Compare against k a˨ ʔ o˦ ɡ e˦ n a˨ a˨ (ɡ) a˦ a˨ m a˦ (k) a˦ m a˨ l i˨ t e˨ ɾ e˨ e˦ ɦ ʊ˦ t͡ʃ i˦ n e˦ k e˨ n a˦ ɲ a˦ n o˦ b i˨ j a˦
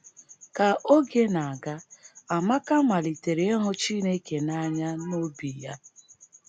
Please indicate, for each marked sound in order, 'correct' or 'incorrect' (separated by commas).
correct, correct